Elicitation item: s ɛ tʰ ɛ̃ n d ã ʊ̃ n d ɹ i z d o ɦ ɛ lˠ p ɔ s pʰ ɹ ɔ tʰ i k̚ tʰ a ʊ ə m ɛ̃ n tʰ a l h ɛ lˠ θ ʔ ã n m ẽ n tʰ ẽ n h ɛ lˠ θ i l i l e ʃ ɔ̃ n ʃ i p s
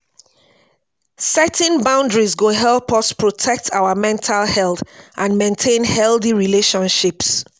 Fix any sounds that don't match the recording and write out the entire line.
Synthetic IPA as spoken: s ɛ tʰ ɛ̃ n b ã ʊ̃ n d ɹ i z ɡ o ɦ ɛ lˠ p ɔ s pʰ ɹ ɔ tʰ ɛ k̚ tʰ a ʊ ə m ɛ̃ n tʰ a l h ɛ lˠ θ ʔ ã n m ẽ n tʰ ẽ n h ɛ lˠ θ i ɹ i l e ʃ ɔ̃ n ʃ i p s

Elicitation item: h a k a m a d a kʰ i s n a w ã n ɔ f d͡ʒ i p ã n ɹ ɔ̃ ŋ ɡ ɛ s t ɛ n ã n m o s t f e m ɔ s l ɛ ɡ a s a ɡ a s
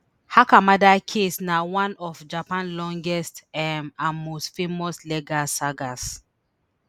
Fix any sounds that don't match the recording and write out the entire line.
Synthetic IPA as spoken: h a k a m a d a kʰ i s n a w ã n ɔ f d͡ʒ a p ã n l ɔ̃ ŋ ɡ ɛ s t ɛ m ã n m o s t f e m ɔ s l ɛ ɡ a s a ɡ a s

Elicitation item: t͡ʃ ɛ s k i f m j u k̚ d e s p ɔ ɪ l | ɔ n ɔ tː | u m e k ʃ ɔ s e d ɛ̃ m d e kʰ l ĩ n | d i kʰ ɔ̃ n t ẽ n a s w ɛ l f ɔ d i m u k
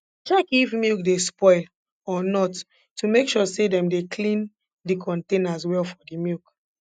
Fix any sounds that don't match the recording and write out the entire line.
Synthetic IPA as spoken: t͡ʃ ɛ k i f m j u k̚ d e s p ɔ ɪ l | ɔ n ɔ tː | u m e k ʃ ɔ s e d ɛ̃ m d e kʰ l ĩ n | d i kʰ ɔ̃ n t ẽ n a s w ɛ l f ɔ d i m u k

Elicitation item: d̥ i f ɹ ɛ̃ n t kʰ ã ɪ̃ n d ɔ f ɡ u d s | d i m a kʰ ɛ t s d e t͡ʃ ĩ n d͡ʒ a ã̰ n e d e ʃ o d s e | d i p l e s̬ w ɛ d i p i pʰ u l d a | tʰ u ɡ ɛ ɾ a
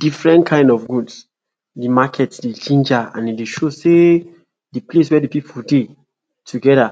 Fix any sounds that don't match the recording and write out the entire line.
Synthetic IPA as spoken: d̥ i f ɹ ɛ̃ n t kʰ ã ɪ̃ n d ɔ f ɡ u d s | d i m a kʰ ɛ t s d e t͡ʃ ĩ n d͡ʒ a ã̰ n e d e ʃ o s e | d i p l e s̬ w ɛ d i p i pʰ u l d e | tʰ u ɡ ɛ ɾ a

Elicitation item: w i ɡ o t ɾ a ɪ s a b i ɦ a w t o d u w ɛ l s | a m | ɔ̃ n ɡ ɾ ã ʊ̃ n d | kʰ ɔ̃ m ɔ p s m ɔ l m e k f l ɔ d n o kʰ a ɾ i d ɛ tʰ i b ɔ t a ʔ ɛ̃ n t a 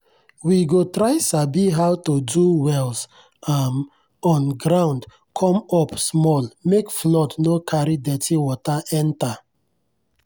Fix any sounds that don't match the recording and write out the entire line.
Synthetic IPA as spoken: w i ɡ o t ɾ a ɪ s a b i ɦ a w t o d u w ɛ l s | a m | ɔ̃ n ɡ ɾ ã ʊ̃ n d | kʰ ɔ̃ m ɔ p s m ɔ l m e k f l ɔ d n o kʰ a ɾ i d ɛ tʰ i w ɔ t a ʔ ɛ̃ n t a

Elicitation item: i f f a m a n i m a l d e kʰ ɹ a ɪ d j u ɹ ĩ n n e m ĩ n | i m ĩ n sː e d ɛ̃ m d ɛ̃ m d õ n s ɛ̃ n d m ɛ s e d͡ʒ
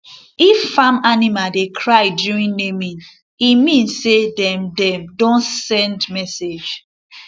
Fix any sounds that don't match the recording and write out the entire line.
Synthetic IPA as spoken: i f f a m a n i m a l d e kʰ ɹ a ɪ d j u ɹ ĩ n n e m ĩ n | i m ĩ n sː e d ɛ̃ m d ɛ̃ m d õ n s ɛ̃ n d m ɛ s e d͡ʒ

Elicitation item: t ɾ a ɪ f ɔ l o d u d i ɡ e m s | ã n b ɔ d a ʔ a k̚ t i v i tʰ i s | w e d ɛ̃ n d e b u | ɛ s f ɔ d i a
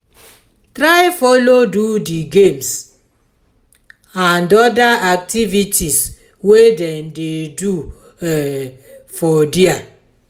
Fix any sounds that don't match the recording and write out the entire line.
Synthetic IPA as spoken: t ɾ a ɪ f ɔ l o d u d i ɡ e m s | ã n d ɔ d a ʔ a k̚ t i v i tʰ i s | w e d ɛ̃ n d e d u | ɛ f ɔ d i a

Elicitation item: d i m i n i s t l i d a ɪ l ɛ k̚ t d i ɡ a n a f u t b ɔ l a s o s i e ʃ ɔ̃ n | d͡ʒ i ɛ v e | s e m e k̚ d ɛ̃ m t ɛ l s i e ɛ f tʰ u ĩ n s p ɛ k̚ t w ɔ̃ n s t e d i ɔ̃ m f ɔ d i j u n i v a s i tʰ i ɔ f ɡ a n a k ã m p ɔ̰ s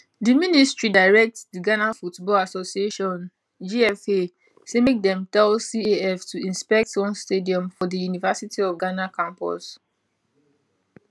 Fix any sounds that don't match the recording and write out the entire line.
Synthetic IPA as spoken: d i m i n i s t ɹ i d a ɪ ɹ ɛ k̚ t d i ɡ a n a f u t b ɔ l a s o s i e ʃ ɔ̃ n | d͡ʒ i ɛ f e | s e m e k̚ d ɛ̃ m t ɛ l s i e ɛ f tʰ u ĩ n s p ɛ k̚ t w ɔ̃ n s t e d i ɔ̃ m f ɔ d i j u n i v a s i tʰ i ɔ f ɡ a n a k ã m p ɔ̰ s

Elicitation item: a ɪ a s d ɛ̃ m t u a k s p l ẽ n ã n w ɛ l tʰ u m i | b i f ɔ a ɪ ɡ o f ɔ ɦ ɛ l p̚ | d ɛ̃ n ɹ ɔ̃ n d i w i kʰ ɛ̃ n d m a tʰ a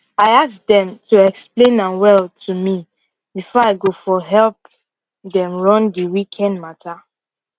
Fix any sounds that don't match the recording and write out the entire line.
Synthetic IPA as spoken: a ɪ a s d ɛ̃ m t u ɛ k s p l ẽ n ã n w ɛ l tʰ u m i | b i f ɔ a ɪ ɡ o f ɔ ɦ ɛ l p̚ | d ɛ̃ m ɹ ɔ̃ n d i w i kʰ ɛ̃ n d m a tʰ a

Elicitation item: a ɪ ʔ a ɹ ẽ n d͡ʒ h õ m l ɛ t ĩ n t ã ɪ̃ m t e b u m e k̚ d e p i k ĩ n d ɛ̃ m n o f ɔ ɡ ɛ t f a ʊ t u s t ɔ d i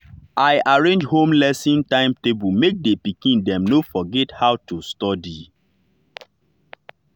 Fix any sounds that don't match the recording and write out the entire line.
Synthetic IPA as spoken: a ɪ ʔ a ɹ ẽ n d͡ʒ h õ m l ɛ s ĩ n t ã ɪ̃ m t e b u m e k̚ d e p i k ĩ n d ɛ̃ m n o f ɔ ɡ ɛ t h a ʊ t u s t ɔ d i

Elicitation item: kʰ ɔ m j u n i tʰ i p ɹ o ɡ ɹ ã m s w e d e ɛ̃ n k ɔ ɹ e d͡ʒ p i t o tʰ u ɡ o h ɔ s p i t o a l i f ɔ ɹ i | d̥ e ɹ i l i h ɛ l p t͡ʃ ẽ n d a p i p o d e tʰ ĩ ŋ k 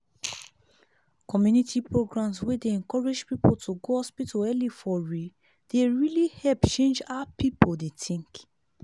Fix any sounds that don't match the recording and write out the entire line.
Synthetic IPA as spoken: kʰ ɔ m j u n i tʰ i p ɹ o ɡ ɹ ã m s w e d e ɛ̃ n k ɔ ɹ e d͡ʒ p i p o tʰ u ɡ o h ɔ s p i t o ɛ l i f ɔ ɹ i | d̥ e ɹ i l i h ɛ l p t͡ʃ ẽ n d͡ʒ a p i p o d e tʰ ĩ ŋ k

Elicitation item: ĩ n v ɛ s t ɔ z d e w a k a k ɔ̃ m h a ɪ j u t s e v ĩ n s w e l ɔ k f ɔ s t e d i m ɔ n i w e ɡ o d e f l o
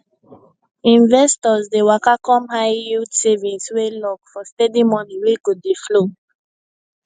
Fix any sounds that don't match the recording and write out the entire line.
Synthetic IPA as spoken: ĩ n v ɛ s t ɔ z d e w a k a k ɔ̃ m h a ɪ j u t s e v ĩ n s w e l ɔ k f ɔ s t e d i m ɔ n i w e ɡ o d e f l o

